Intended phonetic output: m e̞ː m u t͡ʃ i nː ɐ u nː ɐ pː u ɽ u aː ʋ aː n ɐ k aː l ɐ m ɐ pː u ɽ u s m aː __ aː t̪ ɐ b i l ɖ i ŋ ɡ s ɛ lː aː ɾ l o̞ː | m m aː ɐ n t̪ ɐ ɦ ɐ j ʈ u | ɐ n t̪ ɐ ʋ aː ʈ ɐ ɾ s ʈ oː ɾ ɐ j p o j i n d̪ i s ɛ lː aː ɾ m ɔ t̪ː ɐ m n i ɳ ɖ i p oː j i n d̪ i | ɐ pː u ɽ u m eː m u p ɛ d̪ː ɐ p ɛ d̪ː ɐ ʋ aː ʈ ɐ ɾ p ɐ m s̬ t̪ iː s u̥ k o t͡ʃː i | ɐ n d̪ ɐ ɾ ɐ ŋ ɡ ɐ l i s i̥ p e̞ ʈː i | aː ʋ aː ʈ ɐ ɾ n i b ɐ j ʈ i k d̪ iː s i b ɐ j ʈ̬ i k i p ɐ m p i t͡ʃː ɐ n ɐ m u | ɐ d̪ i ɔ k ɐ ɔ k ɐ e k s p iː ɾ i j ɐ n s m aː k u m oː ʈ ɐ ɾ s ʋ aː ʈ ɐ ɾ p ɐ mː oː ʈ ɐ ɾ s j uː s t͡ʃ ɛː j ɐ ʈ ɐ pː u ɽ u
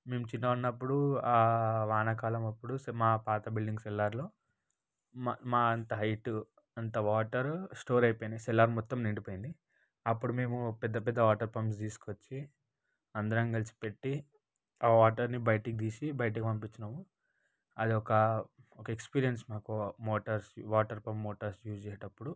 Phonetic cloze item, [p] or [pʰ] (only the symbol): p